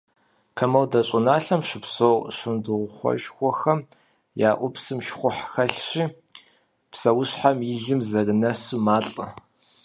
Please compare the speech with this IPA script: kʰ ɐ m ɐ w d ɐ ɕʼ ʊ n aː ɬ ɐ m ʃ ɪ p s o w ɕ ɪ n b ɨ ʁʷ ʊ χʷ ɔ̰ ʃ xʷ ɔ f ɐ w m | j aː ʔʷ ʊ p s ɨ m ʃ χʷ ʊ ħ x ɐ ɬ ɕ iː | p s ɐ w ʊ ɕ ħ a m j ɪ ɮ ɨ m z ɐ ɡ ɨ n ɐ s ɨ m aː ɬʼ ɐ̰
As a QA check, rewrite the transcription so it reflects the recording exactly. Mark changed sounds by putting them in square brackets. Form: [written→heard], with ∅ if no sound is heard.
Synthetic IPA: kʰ ɐ m ɐ w d ɐ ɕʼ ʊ n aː ɬ ɐ m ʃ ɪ p s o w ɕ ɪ n [b→d] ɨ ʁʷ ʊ χʷ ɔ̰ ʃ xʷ ɔ [f→x] ɐ [w→∅] m | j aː ʔʷ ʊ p s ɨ m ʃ χʷ ʊ ħ x ɐ ɬ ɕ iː | p s ɐ w ʊ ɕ ħ a m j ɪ ɮ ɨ m z ɐ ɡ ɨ n ɐ s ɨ m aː ɬʼ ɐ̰